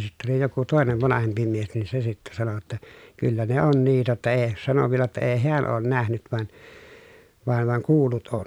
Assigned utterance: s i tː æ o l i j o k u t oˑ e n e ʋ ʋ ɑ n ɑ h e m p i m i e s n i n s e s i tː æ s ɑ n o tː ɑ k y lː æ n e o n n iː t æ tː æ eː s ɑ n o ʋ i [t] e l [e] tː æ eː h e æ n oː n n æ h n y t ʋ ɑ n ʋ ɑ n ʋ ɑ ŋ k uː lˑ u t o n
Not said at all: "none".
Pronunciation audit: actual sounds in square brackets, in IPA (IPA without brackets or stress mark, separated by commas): none, æ